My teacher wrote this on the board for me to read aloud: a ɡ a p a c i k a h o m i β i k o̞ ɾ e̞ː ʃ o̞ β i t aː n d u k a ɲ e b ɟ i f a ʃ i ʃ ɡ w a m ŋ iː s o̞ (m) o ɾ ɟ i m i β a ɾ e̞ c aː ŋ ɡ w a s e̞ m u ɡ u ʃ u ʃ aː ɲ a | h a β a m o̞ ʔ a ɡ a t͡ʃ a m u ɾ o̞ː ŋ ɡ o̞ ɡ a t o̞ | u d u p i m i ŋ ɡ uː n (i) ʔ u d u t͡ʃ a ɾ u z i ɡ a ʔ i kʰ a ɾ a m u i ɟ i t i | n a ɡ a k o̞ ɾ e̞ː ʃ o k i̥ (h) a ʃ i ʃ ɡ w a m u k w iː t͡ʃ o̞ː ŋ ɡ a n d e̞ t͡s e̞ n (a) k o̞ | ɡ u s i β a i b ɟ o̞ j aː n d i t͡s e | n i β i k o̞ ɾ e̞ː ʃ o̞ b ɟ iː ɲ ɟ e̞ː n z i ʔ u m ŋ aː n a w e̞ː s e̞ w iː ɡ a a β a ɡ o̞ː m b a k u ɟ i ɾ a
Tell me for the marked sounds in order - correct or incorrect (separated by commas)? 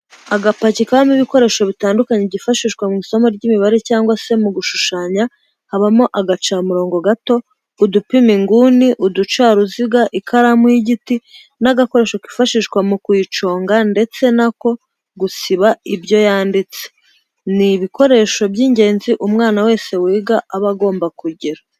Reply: correct, correct, incorrect, correct